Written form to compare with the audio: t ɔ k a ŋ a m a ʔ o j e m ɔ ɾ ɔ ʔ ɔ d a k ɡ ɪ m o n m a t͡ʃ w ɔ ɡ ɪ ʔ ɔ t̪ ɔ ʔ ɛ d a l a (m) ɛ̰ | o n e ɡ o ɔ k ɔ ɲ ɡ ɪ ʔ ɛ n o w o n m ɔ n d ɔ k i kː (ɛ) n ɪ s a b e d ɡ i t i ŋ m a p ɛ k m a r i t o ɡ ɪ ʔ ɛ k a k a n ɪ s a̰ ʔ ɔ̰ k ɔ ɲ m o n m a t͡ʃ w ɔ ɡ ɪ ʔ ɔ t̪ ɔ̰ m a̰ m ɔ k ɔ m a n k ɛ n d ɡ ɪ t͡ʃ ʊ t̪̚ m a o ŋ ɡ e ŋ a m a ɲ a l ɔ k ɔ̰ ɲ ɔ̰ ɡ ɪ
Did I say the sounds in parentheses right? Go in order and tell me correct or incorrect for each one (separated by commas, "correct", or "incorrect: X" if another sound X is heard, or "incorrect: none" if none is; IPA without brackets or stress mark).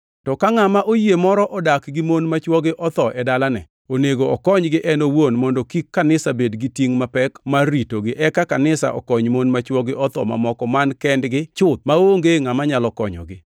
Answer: incorrect: n, incorrect: a